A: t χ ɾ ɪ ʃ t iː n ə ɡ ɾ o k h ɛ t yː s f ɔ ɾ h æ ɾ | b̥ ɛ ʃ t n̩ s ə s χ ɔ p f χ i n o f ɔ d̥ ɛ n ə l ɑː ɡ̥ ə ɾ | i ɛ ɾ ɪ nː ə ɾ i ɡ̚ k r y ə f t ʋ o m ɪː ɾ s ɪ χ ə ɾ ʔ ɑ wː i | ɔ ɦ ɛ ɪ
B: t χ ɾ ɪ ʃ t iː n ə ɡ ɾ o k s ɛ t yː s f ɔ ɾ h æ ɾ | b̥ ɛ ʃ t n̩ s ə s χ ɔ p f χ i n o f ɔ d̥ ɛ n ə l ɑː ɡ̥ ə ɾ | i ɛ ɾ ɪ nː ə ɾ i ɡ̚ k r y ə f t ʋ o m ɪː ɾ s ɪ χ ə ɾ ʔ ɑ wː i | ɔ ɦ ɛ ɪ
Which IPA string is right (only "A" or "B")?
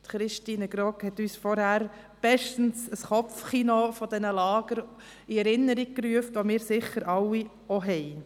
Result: A